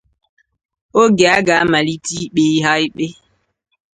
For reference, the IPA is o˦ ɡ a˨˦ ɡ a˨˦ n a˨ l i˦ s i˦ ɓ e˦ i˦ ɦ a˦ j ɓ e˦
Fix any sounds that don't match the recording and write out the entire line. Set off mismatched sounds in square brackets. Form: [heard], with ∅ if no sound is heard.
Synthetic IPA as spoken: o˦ ɡ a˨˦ ɡ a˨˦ [m] a˨ l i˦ [t] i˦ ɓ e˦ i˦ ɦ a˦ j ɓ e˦